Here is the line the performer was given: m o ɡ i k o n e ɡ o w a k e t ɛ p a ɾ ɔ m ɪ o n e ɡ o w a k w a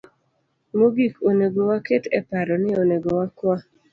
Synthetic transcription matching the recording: m o ɡ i k o n e ɡ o w a k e t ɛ p a ɾ ɔ n ɪ o n e ɡ o w a k w a

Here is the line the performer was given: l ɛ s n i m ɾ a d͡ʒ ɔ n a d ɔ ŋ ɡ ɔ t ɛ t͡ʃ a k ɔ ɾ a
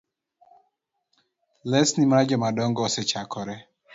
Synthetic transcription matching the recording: l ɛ s n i m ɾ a d͡ʒ ɔ m a d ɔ ŋ ɡ ɔ s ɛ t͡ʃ a k ɔ ɾ ɛ

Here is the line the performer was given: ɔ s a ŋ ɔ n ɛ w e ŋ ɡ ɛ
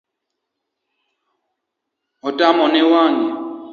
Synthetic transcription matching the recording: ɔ t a m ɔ n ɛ w a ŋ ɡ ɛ

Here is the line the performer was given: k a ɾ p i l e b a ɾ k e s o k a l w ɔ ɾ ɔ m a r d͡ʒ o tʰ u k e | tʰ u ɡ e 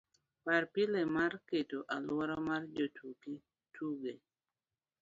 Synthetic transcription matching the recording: p a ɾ p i l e m a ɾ k e t o ʔ a l w ɔ ɾ ɔ m a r d͡ʒ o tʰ u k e | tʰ u ɡ e

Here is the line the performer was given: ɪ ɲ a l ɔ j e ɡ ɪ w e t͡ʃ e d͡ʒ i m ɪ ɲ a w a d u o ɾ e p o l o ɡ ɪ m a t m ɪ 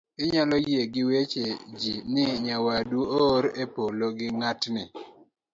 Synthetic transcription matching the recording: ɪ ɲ a l ɔ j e ɡ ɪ w e t͡ʃ e d͡ʒ i n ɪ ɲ a w a d u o ɾ e p o l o ɡ ɪ ŋ a t n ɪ

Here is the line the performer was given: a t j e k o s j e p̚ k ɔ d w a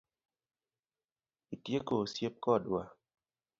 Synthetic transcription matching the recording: i t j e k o s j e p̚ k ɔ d w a

